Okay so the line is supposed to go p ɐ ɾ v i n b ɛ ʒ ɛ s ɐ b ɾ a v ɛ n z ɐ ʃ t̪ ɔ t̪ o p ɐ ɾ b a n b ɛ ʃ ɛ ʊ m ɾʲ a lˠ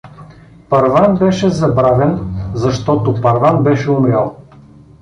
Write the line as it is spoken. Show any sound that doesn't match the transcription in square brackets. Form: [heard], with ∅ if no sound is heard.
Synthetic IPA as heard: p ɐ ɾ v [a] n b ɛ [ʃ] ɛ [z] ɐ b ɾ a v ɛ n z ɐ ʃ t̪ ɔ t̪ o p ɐ ɾ [v] a n b ɛ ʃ ɛ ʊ m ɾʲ a lˠ